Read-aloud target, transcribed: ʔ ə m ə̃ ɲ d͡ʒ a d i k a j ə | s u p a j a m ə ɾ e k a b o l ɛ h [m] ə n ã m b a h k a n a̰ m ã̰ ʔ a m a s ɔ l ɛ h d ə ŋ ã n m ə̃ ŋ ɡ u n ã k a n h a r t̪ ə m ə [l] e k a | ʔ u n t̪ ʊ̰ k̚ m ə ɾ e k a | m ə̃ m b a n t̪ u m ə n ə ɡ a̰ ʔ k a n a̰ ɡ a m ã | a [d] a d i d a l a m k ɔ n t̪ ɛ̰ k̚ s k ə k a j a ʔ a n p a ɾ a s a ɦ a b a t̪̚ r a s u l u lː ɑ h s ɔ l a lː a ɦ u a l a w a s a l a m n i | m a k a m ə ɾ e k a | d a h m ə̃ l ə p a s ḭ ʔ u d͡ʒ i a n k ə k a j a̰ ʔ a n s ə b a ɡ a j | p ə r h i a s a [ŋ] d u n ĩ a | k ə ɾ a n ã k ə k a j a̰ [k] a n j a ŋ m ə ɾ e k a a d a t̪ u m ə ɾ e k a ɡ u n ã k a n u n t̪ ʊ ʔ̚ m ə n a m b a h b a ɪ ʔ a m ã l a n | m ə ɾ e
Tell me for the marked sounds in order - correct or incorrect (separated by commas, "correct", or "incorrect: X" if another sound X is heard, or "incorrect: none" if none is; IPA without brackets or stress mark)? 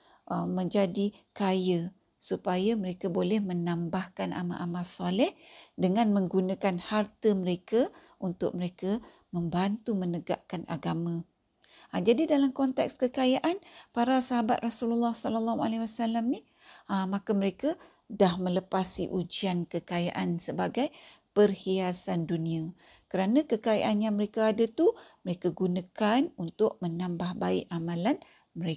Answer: correct, incorrect: ɾ, incorrect: d͡ʒ, incorrect: n, incorrect: ʔ